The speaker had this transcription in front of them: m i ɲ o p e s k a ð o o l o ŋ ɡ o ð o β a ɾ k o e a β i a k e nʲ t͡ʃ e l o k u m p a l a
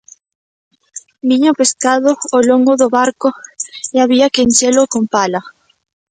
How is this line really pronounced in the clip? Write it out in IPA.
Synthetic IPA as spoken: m i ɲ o p e s k a ð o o l o ŋ ɡ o ð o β a ɾ k o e a β i a k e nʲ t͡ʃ e l o k o m p a l a